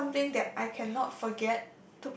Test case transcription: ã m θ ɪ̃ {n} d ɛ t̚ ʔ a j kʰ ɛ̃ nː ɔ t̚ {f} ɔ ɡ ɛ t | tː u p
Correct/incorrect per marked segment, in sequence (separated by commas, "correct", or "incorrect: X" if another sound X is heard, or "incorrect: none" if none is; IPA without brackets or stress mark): incorrect: ŋ, correct